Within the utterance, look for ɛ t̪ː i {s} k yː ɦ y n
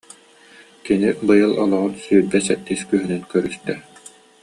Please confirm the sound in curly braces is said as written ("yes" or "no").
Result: yes